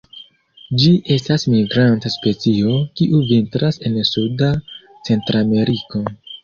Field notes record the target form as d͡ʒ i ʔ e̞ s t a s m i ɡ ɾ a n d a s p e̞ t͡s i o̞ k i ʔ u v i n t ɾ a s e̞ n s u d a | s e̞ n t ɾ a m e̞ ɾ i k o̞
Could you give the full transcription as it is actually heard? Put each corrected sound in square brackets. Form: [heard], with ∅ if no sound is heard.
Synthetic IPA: d͡ʒ i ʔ e̞ s t a s m i ɡ ɾ a n [t] a s p e̞ t͡s i o̞ k i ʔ u v i n t ɾ a s e̞ n s u d a | [t͡s] e̞ n t ɾ a m e̞ ɾ i k o̞